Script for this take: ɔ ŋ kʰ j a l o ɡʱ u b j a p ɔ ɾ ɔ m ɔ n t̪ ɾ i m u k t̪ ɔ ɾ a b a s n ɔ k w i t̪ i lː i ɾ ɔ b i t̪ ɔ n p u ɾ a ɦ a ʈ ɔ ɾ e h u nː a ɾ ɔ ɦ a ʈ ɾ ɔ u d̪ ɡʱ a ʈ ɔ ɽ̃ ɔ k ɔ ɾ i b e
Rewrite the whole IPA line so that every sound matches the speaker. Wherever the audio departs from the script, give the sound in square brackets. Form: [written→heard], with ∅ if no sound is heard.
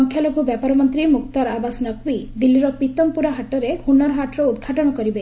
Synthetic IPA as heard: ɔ ŋ kʰ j a l o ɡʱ u b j a p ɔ ɾ ɔ m ɔ n t̪ ɾ i m u k t̪ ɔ ɾ a b a s n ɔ k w i [t̪→d̪] i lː i ɾ ɔ [b→p] i t̪ ɔ [n→m] p u ɾ a ɦ a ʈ ɔ ɾ e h u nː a ɾ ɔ ɦ a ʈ ɾ ɔ u d̪ ɡʱ a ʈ ɔ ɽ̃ ɔ k ɔ ɾ i b e